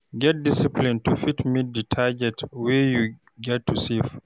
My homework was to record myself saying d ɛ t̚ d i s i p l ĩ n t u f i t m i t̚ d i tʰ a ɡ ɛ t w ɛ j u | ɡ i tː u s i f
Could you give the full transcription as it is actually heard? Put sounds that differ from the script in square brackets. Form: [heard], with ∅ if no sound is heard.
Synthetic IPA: [ɡ] ɛ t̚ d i s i p l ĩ n t u f i t m i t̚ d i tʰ a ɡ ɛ t w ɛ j u | ɡ [ɛ] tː u s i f